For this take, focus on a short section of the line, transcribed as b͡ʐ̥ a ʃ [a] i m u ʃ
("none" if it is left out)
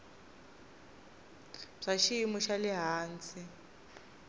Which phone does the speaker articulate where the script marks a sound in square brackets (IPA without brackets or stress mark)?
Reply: i